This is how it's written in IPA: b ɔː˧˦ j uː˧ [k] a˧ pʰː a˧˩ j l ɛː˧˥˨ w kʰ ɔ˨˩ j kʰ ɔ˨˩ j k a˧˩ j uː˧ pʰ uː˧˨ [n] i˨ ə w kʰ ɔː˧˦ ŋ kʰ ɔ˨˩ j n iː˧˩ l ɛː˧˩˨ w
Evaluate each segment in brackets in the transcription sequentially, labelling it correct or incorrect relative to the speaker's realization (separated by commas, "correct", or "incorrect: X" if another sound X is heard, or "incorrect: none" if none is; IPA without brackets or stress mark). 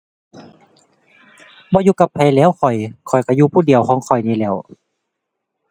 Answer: correct, incorrect: d